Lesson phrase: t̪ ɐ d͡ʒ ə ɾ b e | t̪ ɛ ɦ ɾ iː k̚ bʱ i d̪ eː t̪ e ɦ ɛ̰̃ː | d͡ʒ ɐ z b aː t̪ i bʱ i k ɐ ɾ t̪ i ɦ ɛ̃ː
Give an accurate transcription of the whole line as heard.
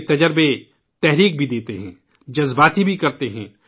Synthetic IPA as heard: t̪ ɐ d͡ʒ ə ɾ b e | t̪ ɛ ɦ ɾ iː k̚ bʱ i d̪ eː t̪ e ɦ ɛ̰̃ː | d͡ʒ ɐ z b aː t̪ i bʱ i k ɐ ɾ t̪ e ɦ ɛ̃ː